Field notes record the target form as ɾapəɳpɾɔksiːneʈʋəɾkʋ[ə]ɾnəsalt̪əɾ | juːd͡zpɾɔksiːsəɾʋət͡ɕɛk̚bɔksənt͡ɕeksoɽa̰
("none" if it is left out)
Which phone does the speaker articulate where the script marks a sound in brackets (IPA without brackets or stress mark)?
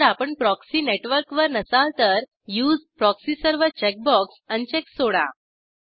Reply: ə